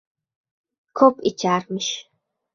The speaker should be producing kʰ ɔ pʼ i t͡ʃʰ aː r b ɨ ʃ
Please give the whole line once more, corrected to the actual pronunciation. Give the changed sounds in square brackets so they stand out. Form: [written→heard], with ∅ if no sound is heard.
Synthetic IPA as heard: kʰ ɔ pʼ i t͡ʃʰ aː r [b→m] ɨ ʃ